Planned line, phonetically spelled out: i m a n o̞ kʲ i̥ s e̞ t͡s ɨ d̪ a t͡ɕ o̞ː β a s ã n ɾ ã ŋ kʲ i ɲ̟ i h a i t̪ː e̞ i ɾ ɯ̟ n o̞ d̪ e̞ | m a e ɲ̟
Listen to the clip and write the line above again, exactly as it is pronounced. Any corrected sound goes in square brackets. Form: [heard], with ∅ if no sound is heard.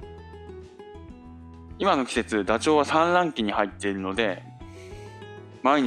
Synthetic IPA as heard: i m a n o̞ kʲ i̥ s e̞ t͡s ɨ d̪ a t͡ɕ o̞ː β a s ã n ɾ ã ŋ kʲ i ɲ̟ i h a i t̪ː e̞ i ɾ ɯ̟ n o̞ d̪ e̞ | m a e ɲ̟